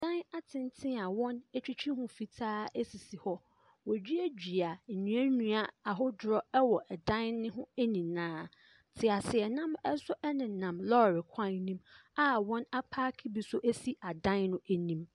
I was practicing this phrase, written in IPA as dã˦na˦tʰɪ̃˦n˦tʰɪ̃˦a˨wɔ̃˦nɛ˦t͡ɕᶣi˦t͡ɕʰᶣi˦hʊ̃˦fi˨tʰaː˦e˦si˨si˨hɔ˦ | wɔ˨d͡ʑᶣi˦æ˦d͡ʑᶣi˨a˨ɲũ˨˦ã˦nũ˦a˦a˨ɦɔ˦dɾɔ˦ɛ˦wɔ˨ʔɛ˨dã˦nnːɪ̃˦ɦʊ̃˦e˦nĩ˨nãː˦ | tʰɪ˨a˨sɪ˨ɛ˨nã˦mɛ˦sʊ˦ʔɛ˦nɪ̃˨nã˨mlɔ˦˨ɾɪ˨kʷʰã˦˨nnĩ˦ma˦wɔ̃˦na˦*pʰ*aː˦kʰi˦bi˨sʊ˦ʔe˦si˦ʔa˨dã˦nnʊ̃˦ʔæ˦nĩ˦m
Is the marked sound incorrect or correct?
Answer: correct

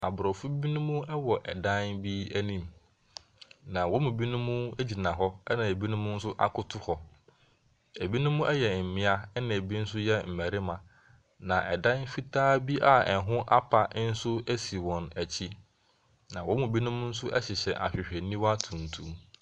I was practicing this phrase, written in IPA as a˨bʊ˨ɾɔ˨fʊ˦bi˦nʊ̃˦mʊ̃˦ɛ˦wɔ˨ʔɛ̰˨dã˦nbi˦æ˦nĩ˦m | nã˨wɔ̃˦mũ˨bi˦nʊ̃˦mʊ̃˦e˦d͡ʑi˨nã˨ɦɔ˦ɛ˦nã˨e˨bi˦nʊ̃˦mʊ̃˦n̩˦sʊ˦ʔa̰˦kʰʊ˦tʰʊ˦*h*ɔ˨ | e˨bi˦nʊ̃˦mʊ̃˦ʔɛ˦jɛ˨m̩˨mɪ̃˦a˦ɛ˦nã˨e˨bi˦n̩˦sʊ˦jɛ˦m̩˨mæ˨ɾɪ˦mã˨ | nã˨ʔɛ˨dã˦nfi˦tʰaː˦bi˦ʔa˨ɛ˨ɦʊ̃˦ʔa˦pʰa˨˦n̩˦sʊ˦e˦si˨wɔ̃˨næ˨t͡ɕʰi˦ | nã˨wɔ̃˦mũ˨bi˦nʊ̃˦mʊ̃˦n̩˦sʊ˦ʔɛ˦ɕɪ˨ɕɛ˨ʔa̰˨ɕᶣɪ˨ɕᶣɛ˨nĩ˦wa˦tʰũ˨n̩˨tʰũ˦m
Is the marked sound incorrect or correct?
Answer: correct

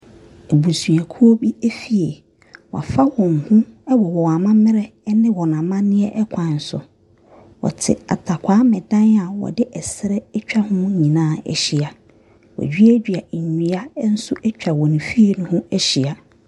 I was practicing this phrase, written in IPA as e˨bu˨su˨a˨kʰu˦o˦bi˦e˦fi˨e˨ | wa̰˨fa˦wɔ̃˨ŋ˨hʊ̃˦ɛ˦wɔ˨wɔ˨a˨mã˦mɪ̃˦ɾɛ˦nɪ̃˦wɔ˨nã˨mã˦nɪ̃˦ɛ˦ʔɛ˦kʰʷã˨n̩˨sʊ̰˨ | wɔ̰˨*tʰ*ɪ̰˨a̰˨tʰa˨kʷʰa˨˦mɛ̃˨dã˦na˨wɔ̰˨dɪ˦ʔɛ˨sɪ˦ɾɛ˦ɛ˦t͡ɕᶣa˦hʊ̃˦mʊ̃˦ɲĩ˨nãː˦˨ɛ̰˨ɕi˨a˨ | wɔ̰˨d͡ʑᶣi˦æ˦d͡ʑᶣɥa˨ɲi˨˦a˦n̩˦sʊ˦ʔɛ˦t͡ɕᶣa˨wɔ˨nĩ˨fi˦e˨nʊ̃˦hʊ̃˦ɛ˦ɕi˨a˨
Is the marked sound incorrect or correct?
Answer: correct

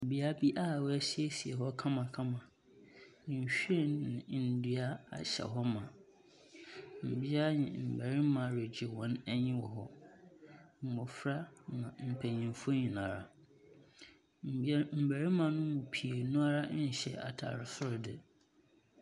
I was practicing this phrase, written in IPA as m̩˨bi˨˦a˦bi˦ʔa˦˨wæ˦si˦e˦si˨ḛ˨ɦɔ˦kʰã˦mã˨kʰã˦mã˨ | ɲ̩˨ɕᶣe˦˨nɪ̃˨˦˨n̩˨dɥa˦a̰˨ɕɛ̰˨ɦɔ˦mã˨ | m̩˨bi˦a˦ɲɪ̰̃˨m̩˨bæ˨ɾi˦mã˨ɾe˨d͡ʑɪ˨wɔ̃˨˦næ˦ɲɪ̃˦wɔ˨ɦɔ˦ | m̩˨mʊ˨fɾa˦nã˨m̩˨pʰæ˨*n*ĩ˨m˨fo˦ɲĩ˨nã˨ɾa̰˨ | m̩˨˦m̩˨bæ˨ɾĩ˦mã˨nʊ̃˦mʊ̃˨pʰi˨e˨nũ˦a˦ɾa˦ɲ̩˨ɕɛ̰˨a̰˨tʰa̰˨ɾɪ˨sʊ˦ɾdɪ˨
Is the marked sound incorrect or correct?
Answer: incorrect: ɲ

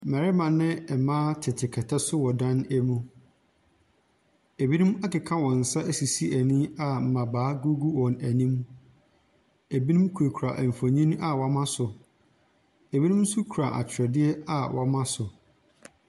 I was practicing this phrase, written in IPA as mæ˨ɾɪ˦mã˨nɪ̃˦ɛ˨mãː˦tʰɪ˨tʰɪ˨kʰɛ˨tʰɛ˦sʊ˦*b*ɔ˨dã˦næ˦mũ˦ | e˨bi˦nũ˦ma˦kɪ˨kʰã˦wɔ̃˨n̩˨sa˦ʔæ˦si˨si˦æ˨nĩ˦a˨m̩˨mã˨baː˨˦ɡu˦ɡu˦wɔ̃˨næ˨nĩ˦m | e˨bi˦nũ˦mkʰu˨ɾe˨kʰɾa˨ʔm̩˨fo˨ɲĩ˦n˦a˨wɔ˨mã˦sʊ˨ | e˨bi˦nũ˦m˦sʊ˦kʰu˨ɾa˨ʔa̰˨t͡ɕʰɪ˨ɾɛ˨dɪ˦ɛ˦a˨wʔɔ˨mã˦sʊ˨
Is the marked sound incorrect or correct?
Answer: incorrect: w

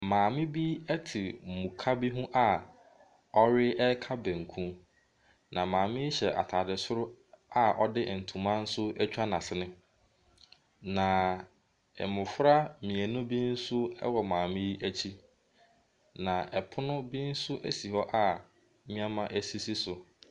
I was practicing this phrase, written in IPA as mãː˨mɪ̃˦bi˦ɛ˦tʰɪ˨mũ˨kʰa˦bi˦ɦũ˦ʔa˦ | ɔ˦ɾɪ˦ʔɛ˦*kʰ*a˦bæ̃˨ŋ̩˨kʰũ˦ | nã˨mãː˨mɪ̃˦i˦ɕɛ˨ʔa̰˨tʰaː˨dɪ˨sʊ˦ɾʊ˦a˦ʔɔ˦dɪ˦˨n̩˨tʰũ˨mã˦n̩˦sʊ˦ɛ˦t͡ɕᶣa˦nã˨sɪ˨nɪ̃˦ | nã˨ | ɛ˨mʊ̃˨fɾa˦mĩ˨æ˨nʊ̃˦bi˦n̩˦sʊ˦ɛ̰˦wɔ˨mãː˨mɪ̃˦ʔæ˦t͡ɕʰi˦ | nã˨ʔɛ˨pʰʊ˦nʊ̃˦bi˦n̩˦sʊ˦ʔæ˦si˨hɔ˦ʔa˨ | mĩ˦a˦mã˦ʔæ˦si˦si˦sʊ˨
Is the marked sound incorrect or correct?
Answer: correct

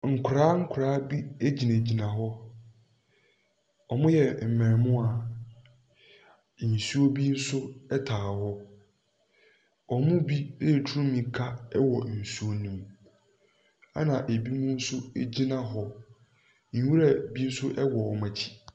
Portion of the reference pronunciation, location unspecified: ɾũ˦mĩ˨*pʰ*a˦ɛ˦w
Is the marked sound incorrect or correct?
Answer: incorrect: kʰ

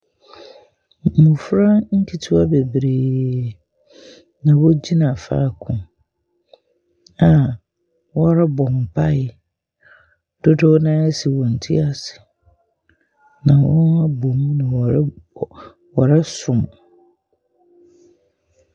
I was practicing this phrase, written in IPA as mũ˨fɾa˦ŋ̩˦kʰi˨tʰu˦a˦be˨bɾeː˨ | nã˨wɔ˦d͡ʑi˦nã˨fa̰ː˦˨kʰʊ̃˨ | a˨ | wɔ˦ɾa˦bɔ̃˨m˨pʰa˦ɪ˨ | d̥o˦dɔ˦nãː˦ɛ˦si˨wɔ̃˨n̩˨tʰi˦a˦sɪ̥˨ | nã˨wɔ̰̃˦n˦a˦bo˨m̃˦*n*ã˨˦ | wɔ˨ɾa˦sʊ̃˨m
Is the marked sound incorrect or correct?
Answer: correct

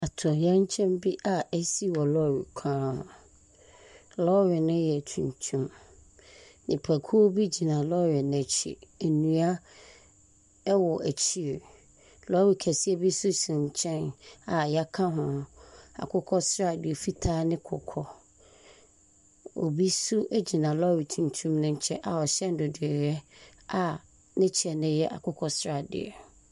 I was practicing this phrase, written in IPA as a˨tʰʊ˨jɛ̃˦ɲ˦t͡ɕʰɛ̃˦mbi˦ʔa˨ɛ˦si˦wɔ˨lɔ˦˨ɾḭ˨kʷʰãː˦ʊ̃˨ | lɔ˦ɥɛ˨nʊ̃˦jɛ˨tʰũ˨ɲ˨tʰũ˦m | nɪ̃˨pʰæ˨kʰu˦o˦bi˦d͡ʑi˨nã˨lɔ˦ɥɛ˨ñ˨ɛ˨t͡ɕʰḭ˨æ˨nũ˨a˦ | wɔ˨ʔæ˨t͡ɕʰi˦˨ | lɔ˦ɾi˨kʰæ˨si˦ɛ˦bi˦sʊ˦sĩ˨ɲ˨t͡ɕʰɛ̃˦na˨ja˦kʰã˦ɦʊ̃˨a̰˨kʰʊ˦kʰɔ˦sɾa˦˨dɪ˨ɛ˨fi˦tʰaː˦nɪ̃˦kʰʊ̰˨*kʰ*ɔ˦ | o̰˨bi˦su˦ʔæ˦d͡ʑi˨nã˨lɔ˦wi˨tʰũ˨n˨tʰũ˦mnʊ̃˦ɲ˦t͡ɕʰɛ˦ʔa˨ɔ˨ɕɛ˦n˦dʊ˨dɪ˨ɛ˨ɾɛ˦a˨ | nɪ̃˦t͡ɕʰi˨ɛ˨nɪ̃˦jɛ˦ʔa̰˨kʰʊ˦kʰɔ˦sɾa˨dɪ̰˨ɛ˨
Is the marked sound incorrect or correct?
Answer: correct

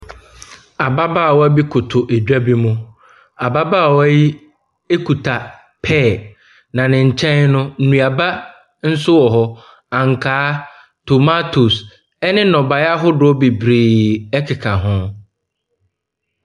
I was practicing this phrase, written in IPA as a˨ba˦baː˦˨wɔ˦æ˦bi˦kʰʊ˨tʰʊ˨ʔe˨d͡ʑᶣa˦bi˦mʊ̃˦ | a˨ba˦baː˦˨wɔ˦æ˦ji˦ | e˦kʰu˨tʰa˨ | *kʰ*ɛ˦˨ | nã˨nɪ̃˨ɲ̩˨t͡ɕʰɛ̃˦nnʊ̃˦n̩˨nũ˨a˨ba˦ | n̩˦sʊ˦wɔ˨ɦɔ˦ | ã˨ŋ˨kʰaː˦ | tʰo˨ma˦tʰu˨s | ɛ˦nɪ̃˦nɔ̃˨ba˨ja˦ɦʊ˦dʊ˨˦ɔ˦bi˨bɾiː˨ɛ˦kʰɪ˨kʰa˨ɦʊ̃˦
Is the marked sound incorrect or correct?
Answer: incorrect: pʰ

